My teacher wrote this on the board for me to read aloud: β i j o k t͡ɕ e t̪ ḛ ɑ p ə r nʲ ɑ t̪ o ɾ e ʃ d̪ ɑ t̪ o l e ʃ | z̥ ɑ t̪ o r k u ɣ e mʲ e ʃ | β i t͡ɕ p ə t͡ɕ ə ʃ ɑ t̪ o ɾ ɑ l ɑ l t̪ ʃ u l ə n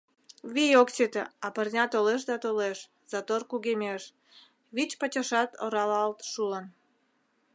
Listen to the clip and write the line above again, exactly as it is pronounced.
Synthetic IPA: β i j o k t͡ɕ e t̪ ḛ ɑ p ə r nʲ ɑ t̪ o l e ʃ d̪ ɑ t̪ o l e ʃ | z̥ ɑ t̪ o r k u ɣ e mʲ e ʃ | β i t͡ɕ p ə t͡ɕ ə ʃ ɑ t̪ o ɾ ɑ l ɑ l t̪ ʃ u l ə n